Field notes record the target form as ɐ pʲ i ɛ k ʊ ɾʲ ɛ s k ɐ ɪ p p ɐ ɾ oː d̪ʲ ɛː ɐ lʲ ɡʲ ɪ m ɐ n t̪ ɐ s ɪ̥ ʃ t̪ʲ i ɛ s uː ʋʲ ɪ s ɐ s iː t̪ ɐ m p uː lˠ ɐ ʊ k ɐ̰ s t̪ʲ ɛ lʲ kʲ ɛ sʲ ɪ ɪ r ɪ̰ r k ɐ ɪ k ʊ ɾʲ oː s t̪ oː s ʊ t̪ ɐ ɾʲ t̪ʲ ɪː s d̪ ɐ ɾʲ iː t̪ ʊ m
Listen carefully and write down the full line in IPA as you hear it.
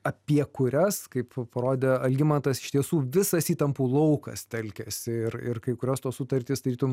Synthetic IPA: ɐ pʲ i ɛ k ʊ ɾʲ ɛ s k ɐ ɪ p p ɐ ɾ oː d̪ʲ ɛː ɐ lʲ ɡʲ ɪ m ɐ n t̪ ɐ s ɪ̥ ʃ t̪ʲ i ɛ s uː ʋʲ ɪ s ɐ s iː t̪ ɐ m p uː lˠ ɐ ʊ k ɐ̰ s t̪ʲ ɛ lʲ kʲ ɛ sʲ ɪ ɪ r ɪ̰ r k ɐ ɪ k ʊ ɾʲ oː s t̪ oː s ʊ t̪ ɐ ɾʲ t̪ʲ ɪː s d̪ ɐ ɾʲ iː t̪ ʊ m